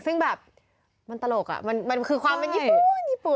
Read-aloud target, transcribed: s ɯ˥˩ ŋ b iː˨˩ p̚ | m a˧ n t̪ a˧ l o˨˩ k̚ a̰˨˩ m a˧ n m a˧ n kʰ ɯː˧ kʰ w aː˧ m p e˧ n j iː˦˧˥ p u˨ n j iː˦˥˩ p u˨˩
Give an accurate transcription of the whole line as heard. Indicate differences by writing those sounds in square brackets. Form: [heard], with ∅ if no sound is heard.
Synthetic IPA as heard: s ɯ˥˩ ŋ b [ɛː˨˩] p̚ | m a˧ n t̪ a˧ l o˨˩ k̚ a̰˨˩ m a˧ n m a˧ n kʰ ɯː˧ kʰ w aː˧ m p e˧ n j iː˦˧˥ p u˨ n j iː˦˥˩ p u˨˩